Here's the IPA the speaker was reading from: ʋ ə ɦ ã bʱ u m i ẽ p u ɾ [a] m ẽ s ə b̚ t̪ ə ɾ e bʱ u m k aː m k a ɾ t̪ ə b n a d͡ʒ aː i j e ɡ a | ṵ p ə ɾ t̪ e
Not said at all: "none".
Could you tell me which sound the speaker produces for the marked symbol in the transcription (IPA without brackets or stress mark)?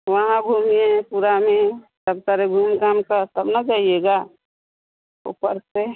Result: a